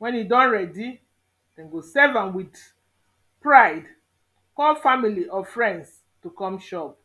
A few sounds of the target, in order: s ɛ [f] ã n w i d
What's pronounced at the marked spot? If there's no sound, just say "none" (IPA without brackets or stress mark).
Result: v